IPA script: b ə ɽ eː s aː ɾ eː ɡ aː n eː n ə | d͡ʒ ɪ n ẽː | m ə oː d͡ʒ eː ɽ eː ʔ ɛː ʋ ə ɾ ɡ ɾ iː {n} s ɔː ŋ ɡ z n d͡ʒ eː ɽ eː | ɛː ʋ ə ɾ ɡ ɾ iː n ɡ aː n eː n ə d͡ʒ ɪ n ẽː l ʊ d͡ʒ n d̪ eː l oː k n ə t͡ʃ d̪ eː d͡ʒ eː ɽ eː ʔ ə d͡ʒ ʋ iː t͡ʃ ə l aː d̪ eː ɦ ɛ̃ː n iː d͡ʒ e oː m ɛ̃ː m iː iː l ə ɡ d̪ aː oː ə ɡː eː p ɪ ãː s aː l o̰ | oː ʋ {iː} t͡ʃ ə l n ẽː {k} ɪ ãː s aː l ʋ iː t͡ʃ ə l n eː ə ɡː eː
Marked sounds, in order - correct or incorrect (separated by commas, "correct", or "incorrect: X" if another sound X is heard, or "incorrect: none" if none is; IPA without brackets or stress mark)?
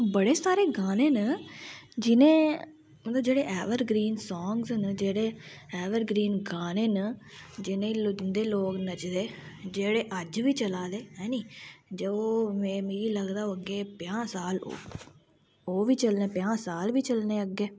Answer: correct, correct, incorrect: p